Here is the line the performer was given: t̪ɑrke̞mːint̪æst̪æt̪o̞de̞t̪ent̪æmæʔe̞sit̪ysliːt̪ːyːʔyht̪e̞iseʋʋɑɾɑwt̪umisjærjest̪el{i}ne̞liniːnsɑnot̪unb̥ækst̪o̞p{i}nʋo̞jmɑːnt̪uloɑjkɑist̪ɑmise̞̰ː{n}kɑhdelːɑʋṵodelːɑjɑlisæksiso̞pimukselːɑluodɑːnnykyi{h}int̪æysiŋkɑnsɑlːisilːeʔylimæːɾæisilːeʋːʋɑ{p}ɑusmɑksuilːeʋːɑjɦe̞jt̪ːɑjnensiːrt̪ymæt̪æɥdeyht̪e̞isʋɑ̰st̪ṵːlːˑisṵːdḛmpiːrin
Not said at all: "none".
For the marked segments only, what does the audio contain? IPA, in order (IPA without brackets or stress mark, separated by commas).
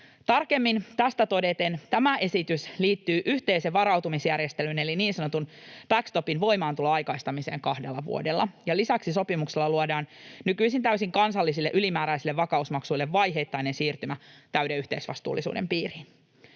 y, i, ŋ, s, k